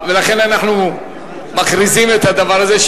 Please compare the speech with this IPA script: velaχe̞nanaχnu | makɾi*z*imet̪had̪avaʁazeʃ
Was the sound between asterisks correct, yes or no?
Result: yes